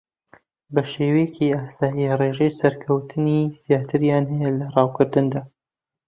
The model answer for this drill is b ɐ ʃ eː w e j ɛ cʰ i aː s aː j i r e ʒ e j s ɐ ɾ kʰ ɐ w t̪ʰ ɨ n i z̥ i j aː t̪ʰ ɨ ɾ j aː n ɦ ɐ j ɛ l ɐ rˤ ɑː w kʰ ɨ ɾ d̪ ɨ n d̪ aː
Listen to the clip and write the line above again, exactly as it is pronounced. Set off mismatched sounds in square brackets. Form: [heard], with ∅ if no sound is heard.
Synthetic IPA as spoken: b ɐ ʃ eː w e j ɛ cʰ i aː s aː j i r e ʒ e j s ɐ ɾ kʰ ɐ w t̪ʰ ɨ n i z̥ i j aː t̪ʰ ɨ ɾ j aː n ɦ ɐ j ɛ l ɐ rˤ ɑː w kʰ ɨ ɾ d̪ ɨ n d̪ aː